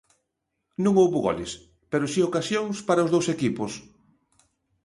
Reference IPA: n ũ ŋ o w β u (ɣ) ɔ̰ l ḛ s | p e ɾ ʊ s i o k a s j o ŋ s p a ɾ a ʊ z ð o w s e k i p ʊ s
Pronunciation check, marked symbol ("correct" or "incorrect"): correct